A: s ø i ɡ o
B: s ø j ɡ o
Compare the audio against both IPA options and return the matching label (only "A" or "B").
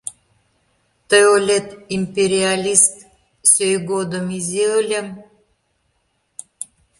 B